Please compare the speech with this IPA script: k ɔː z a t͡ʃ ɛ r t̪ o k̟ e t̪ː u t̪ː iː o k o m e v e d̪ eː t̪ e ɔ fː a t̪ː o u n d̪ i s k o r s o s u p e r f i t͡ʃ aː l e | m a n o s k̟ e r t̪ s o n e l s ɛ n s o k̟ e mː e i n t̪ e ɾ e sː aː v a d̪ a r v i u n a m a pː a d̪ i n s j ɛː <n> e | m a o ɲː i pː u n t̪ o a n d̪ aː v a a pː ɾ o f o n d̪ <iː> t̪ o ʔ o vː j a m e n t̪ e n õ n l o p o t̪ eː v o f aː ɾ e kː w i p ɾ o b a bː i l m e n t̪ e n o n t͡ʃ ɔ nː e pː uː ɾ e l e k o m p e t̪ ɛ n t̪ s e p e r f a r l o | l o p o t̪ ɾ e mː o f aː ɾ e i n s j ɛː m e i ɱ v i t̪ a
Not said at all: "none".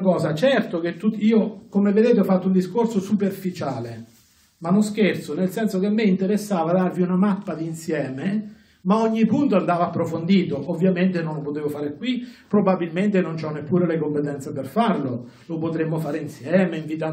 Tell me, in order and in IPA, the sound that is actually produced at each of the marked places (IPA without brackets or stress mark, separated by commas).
m, iː